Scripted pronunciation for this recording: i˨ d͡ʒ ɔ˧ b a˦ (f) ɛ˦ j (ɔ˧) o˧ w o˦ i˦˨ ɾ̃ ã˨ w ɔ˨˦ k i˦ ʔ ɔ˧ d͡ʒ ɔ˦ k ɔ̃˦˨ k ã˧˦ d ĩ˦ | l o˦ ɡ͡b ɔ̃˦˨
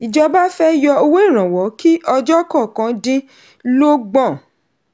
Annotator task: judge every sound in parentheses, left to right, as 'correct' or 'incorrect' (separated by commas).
correct, correct